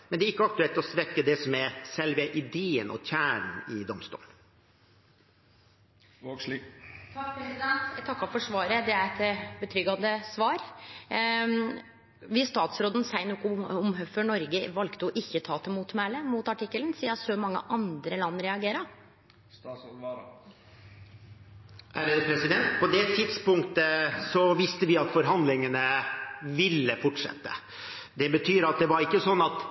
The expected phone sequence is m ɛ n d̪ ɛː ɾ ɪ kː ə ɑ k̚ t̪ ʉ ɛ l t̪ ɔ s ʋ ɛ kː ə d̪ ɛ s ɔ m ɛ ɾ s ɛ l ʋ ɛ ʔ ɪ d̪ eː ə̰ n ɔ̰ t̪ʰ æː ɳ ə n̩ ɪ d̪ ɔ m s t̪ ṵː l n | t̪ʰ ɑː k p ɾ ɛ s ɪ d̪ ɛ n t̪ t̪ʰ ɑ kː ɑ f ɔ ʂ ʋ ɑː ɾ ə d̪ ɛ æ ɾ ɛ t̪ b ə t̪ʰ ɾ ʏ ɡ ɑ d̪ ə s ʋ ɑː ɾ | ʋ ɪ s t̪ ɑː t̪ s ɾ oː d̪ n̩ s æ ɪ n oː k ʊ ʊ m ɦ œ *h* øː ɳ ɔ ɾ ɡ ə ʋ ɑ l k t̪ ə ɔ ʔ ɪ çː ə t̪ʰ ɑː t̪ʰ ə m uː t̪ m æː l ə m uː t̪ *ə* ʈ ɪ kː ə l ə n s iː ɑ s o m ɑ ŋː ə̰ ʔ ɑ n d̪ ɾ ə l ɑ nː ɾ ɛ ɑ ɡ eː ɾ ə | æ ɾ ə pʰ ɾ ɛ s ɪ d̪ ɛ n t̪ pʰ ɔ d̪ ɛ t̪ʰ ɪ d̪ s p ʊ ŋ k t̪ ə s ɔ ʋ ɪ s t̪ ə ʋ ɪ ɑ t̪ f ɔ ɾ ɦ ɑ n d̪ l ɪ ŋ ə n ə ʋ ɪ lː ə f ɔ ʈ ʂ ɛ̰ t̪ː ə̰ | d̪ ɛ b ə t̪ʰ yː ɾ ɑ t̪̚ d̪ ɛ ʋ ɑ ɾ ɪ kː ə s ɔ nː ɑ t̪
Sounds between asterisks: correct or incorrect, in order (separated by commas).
incorrect, incorrect